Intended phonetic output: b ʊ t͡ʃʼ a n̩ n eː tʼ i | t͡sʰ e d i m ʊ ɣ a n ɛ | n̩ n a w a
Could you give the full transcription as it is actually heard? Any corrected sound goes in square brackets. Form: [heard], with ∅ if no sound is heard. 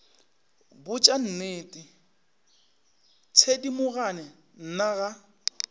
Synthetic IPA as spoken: b ʊ t͡ʃʼ a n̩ n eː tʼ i | t͡sʰ e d i m ʊ ɣ a n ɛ | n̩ n a [ɣ] a